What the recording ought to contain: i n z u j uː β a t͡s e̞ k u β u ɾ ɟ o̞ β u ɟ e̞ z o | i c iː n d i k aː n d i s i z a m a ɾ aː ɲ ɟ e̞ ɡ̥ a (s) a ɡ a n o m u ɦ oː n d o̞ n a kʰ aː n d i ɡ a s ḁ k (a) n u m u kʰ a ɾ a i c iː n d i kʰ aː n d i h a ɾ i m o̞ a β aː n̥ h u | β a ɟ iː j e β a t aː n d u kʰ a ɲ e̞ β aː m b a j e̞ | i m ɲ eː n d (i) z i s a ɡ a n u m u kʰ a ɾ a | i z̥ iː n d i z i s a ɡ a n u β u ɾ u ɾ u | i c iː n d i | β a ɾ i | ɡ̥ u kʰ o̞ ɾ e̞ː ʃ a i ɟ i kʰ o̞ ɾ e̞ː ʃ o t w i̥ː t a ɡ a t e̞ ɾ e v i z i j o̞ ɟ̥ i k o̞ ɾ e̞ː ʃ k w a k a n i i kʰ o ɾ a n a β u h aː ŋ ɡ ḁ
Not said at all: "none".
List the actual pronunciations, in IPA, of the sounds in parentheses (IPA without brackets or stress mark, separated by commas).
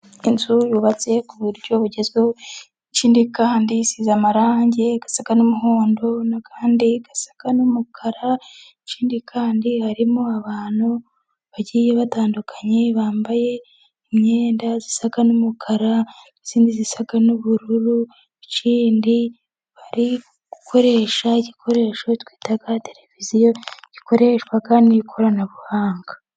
s, a, a